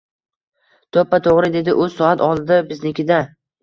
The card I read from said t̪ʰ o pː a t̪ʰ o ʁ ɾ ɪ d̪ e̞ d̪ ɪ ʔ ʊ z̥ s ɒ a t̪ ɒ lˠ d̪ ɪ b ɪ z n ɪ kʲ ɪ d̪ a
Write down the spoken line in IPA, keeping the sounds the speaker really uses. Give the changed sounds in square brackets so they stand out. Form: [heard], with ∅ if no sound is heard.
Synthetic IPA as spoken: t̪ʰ o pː a t̪ʰ o ʁ ɾ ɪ d̪ e̞ d̪ ɪ ʔ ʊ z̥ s ɒ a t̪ ɒ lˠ d̪ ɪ b ɪ z n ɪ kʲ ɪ d̪ a